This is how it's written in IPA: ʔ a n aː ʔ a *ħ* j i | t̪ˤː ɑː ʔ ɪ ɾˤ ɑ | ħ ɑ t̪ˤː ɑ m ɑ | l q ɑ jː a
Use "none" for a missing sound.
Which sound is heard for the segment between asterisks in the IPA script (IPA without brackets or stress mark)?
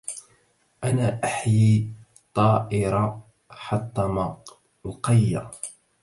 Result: ħ